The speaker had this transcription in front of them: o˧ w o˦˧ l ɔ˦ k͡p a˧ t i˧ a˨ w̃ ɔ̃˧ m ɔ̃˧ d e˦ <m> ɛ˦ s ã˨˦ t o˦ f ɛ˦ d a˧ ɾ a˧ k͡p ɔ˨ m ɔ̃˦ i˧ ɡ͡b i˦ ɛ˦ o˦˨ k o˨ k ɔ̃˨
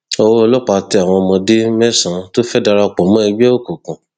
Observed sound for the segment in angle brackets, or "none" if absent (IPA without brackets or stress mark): m